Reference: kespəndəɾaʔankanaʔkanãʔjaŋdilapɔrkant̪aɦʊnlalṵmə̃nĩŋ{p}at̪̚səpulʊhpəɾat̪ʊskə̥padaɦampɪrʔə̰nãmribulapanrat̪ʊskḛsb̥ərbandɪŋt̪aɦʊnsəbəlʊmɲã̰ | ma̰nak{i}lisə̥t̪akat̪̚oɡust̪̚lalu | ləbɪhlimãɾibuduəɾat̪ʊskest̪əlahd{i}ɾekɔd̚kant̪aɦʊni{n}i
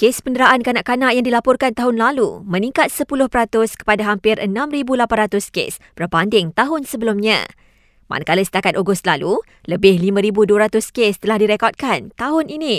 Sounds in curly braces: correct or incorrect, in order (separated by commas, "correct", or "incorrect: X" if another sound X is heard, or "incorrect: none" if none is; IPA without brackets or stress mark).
incorrect: k, incorrect: a, correct, correct